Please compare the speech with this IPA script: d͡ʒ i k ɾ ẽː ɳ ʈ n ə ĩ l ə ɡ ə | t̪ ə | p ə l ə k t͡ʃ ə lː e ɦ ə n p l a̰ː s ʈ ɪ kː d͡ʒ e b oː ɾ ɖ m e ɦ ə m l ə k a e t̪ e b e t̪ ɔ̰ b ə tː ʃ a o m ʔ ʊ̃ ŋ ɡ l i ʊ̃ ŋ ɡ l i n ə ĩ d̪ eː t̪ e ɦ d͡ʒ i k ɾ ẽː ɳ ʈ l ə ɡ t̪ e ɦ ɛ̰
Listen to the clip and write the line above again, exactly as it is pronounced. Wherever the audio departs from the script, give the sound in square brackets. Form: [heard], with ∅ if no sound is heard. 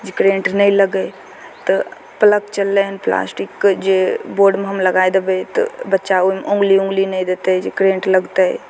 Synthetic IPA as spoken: d͡ʒ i k ɾ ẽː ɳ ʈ n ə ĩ l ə ɡ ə | t̪ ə | p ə l ə k t͡ʃ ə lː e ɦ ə n p l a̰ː s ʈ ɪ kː d͡ʒ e b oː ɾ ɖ m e ɦ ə m l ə [ɡ] a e [d̪] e b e t̪ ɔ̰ b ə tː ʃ a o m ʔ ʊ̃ ŋ ɡ l i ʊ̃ ŋ ɡ l i n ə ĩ d̪ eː t̪ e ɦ d͡ʒ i k ɾ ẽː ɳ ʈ l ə ɡ t̪ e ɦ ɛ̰